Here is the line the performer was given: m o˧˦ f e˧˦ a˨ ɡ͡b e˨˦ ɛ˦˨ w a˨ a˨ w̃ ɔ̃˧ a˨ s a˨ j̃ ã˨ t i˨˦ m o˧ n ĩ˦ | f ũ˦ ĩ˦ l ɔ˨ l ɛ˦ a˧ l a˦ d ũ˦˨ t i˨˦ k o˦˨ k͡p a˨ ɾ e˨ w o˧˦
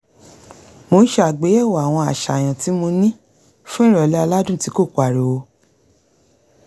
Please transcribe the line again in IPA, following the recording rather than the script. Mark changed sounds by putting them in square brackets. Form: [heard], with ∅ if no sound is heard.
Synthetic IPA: m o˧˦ [ʃ] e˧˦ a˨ ɡ͡b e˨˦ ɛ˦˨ w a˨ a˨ w̃ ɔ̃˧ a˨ [ʃ] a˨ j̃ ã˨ t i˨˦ m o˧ n ĩ˦ | f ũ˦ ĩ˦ [ɾ] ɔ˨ l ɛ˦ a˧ l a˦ d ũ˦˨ t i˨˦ k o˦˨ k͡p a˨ ɾ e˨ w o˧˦